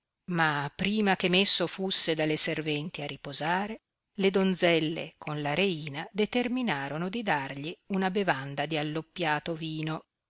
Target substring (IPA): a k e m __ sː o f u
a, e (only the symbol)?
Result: e